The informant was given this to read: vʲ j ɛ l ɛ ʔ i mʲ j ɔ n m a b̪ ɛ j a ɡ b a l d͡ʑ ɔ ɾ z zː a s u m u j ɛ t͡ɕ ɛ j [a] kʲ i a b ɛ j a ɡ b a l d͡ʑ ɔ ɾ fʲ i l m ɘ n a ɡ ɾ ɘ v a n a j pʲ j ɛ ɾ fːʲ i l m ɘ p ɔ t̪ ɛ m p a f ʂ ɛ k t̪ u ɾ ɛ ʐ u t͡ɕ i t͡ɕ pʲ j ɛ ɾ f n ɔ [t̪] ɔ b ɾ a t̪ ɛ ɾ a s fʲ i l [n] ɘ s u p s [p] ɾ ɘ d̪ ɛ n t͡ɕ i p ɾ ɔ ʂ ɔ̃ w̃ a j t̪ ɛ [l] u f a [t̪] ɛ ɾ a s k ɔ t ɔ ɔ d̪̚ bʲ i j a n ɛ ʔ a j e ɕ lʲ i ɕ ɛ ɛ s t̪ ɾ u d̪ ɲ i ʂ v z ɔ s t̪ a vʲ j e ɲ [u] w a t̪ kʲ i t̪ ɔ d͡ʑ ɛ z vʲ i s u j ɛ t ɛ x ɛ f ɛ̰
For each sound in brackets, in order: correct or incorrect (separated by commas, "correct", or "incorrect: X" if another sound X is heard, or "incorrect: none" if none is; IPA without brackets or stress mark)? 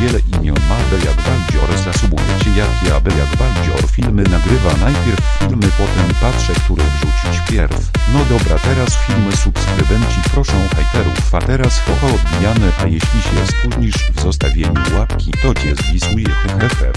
correct, incorrect: d̪, incorrect: m, incorrect: k, incorrect: ɾ, correct, correct